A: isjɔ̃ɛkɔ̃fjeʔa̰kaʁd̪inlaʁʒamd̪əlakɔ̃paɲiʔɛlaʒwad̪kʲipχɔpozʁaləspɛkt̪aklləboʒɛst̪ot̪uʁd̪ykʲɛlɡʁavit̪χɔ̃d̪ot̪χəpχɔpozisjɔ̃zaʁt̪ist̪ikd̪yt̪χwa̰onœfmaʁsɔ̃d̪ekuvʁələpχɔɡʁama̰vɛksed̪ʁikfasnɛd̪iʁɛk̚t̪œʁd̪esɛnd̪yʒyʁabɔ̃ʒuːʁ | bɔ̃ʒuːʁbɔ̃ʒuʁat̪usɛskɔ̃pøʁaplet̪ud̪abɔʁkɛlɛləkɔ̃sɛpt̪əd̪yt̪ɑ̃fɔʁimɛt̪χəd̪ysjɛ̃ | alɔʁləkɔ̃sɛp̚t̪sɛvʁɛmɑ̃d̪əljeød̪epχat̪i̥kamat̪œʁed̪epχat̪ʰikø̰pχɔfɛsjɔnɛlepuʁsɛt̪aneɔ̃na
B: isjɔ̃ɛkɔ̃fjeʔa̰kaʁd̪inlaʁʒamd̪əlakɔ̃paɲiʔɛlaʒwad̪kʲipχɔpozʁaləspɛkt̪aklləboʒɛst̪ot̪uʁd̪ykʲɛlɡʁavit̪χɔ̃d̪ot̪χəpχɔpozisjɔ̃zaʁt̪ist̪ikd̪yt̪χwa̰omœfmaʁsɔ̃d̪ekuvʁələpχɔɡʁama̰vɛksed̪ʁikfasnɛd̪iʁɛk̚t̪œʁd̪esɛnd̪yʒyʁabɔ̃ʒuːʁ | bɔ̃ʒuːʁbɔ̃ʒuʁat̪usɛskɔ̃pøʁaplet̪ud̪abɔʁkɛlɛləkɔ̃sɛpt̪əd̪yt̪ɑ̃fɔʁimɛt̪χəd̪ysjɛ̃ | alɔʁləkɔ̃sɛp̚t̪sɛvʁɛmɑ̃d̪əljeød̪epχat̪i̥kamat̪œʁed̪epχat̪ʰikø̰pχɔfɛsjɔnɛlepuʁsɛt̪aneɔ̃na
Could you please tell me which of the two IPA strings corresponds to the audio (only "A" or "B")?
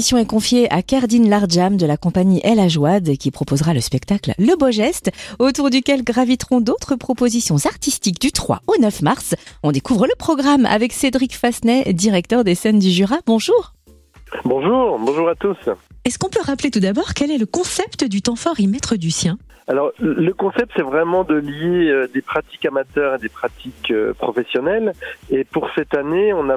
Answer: A